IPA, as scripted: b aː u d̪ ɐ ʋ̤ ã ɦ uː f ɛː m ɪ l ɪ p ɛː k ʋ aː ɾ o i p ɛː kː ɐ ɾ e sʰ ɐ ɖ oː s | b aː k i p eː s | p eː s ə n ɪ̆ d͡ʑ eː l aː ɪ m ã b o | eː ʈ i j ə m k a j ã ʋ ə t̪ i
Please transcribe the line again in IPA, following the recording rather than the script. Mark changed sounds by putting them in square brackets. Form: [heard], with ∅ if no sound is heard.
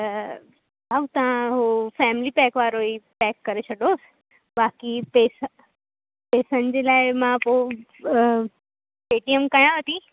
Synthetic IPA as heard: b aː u [t̪] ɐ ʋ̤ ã ɦ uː f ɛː m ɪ l [i] p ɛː k ʋ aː ɾ o i p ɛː kː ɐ ɾ e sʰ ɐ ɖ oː s | b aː k i p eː s | p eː s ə n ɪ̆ d͡ʑ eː l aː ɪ m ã [p] o | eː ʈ i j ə m k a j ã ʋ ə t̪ i

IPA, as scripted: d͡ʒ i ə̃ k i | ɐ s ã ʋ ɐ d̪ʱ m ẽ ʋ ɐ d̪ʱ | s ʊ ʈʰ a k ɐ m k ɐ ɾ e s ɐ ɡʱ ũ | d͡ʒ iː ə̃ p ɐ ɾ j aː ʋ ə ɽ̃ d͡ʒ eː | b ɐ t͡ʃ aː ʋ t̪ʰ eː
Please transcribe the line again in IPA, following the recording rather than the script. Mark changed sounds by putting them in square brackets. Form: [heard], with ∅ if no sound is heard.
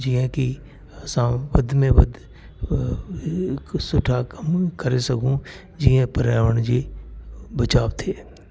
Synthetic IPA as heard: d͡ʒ i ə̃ k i | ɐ s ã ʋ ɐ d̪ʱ m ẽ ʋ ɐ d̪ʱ | s ʊ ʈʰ a k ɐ m k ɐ ɾ e s ɐ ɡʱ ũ | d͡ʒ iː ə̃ p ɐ ɾ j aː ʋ ə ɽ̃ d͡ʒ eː | b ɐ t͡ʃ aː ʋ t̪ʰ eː

